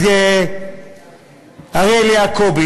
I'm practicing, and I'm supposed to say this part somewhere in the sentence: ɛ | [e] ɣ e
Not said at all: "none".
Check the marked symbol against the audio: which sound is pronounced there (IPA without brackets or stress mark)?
a